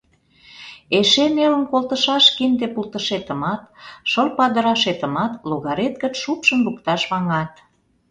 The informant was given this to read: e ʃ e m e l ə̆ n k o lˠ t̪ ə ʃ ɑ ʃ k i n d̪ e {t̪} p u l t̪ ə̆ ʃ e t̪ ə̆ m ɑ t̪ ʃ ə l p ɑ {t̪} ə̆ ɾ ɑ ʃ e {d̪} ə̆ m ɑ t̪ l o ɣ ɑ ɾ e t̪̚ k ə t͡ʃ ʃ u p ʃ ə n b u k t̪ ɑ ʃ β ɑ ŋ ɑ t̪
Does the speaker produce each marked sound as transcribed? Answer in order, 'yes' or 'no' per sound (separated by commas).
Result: no, no, no